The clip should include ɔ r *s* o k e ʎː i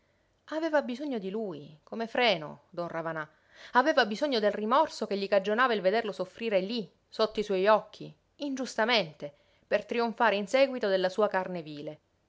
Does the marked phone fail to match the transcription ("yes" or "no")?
no